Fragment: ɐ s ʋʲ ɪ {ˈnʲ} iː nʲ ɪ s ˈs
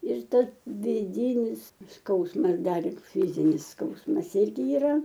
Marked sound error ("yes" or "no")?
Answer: yes